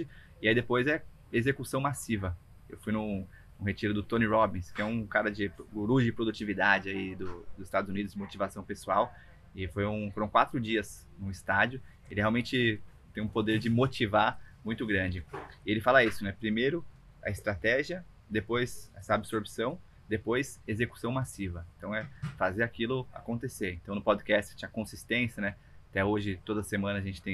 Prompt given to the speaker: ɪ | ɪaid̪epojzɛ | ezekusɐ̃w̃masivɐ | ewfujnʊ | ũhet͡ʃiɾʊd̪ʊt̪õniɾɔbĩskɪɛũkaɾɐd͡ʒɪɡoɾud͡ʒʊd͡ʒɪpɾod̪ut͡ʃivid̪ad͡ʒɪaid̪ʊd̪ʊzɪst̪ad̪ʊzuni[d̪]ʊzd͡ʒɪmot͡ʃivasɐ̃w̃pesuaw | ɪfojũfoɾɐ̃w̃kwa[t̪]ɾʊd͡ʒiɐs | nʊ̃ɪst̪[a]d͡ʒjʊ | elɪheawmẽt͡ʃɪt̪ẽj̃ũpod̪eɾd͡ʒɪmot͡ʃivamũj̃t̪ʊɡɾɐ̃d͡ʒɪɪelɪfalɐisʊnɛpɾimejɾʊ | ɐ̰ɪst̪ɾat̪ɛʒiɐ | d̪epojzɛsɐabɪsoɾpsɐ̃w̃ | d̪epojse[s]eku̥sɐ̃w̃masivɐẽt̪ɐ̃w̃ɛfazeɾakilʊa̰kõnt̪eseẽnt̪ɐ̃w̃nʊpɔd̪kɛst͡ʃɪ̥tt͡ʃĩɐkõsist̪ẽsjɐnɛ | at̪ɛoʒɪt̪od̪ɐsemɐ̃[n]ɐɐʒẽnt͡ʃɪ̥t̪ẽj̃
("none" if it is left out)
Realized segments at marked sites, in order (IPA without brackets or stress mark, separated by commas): d̪, t̪, a, z, n